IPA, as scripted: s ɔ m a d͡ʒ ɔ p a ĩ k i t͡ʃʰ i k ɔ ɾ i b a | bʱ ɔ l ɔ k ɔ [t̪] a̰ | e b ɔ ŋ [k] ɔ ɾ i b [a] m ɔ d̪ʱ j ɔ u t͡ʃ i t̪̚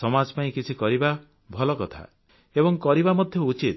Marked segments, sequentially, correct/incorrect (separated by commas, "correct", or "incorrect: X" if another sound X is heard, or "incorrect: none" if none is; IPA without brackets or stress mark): incorrect: t̪ʰ, correct, correct